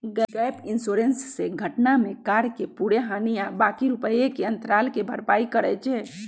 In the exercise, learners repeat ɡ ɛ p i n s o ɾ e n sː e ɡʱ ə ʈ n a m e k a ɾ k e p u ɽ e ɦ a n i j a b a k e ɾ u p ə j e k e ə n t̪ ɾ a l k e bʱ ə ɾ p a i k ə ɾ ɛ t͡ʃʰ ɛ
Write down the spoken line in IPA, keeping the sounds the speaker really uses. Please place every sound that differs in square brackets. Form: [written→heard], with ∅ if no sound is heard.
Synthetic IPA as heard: ɡ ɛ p i n s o ɾ e n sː e ɡʱ ə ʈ n a m e k a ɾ k e p u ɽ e ɦ a n i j a b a k [e→i] ɾ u p ə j e k e ə n t̪ ɾ a l k e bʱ ə ɾ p a i k ə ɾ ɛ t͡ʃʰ ɛ